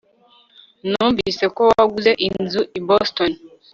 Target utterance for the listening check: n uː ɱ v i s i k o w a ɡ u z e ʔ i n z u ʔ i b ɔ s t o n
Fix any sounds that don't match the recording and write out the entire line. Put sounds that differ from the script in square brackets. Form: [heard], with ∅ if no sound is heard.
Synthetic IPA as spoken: n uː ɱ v i s [e] k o w a ɡ u z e ʔ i n z u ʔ i b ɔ s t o n